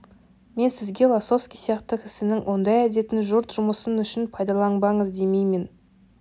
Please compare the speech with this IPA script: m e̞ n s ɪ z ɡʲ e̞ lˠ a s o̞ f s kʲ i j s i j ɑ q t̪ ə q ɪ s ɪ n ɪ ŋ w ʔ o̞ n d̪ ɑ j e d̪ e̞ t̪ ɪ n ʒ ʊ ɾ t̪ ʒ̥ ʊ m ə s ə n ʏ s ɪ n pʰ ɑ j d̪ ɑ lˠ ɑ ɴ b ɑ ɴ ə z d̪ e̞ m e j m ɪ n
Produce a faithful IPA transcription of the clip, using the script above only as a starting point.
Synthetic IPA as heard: m e̞ n s ɪ z ɡʲ e̞ lˠ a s o̞ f s kʲ i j s i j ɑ q t̪ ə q ɪ s ɪ n ɪ ŋ w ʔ o̞ n d̪ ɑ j æ d̪ e̞ t̪ ɪ n ʒ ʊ ɾ t̪ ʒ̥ ʊ m ə s ə n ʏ ʃ ɪ n pʰ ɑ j d̪ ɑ lˠ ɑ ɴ b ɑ ɴ ə z d̪ e̞ m e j m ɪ n